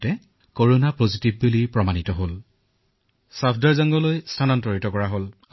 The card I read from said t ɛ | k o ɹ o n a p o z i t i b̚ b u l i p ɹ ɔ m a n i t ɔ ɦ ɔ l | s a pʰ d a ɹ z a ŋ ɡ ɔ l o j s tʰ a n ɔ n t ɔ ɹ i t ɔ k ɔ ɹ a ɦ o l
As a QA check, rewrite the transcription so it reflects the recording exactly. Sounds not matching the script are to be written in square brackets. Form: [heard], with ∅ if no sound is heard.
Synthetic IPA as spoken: t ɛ | k o ɹ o n a p o z i t i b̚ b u l i p ɹ ɔ m a n i t ɔ ɦ [o] l | s a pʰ d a ɹ z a ŋ ɡ ɔ l o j s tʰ a n ɔ n t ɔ ɹ i t ɔ k ɔ ɹ a ɦ o l